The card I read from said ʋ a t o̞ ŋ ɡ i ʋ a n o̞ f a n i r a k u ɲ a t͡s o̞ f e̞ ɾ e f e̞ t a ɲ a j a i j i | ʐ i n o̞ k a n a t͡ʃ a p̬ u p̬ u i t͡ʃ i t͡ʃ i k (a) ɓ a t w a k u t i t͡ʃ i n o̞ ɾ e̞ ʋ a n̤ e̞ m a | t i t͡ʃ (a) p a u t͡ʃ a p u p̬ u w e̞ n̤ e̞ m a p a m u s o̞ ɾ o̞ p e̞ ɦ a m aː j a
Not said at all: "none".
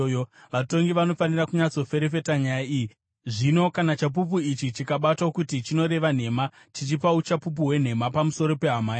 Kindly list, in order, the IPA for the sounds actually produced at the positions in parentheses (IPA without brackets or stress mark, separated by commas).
a, i